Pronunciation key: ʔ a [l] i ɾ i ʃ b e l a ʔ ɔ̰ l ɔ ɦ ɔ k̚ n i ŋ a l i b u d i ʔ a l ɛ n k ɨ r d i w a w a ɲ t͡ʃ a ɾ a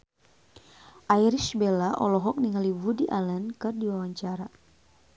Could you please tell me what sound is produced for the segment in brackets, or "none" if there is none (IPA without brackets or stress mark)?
none